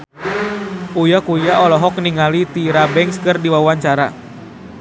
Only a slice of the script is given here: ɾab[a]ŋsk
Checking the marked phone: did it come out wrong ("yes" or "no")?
yes